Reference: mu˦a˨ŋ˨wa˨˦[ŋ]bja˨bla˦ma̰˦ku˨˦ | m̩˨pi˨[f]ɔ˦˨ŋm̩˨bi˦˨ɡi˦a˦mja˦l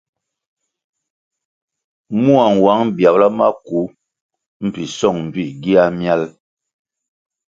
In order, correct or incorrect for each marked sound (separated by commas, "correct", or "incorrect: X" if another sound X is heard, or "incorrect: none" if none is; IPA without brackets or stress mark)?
correct, incorrect: s